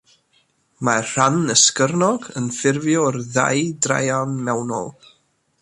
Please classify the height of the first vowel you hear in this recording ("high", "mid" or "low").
low